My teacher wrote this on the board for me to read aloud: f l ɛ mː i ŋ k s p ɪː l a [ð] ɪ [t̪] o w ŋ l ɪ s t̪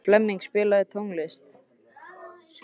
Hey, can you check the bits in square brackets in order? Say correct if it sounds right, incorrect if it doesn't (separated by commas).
correct, incorrect